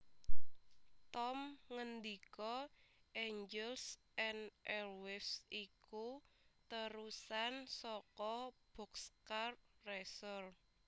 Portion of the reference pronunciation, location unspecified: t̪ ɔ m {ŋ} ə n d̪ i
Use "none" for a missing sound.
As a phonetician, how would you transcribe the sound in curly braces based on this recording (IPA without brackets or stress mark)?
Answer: ŋ